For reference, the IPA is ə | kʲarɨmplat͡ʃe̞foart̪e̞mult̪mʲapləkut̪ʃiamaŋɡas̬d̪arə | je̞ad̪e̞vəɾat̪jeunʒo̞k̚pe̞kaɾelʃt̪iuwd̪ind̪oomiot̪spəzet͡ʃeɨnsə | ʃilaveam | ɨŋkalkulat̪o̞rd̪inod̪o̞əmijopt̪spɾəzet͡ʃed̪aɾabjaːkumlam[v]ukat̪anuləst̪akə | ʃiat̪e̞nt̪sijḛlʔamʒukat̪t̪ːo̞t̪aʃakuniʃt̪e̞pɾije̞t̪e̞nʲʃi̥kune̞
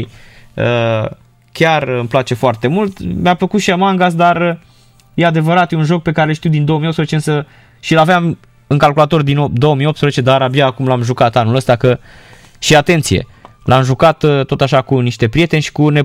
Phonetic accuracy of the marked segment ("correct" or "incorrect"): incorrect